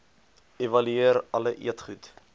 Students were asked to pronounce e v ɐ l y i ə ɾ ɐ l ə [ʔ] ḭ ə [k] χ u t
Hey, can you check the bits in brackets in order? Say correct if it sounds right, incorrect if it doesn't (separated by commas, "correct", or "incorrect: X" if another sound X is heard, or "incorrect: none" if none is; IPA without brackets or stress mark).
correct, incorrect: t